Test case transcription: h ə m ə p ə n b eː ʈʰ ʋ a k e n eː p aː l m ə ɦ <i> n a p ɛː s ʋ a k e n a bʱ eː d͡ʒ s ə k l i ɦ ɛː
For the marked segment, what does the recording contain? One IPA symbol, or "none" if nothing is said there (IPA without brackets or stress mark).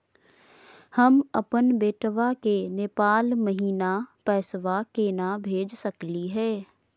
iː